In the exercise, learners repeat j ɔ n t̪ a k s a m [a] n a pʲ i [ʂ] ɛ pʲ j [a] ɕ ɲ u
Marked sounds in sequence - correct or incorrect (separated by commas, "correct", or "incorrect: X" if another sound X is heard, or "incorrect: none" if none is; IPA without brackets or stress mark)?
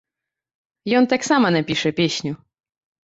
correct, correct, incorrect: e